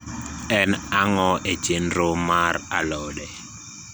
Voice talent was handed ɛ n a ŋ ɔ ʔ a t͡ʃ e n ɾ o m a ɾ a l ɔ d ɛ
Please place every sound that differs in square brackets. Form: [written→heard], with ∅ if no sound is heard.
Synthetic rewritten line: ɛ n a ŋ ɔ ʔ [a→e] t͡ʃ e n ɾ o m a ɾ a l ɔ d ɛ